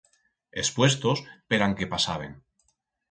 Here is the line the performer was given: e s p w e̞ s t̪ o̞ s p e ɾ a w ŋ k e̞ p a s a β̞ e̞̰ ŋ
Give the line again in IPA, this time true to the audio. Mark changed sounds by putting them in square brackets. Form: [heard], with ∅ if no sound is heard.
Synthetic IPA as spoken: e s p w e̞ s t̪ o̞ s p e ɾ a [∅] ŋ k e̞ p a s a β̞ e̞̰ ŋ